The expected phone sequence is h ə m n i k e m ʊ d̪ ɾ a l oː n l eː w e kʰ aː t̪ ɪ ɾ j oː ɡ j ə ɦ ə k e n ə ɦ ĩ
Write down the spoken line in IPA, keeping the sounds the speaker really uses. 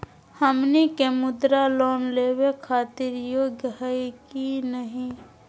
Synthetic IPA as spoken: h ə m n i k e m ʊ d̪ ɾ a l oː n l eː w e kʰ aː t̪ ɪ ɾ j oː ɡ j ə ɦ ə k i n ə ɦ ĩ